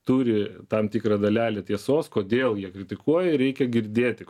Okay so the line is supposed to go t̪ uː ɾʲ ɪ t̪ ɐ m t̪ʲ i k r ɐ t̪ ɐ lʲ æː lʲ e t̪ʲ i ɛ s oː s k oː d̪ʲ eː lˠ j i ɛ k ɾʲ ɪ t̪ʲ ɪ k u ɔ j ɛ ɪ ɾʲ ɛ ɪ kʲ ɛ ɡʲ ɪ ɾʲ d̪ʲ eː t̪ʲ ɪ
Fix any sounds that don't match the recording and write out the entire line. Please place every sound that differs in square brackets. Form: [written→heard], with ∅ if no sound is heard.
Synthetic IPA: t̪ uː ɾʲ ɪ t̪ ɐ m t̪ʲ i k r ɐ [t̪→d̪] ɐ lʲ æː lʲ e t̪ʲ i ɛ s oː s k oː d̪ʲ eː lˠ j i ɛ k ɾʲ ɪ t̪ʲ ɪ k u ɔ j ɛ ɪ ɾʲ ɛ ɪ kʲ ɛ ɡʲ ɪ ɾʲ d̪ʲ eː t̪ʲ ɪ